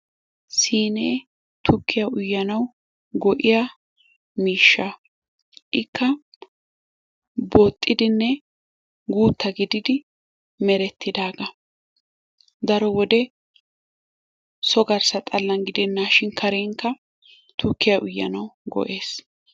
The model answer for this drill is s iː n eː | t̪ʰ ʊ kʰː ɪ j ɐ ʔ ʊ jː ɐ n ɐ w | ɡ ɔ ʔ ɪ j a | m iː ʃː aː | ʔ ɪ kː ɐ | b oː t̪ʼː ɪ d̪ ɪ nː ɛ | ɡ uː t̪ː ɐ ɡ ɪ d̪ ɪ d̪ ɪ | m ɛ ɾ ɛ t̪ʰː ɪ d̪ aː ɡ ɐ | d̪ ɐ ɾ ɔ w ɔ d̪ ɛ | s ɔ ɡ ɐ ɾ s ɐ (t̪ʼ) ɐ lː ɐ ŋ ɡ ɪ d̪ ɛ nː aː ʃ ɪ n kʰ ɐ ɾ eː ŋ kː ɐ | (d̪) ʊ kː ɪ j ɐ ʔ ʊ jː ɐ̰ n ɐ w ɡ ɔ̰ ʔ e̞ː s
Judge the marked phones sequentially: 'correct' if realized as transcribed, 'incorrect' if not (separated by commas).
correct, incorrect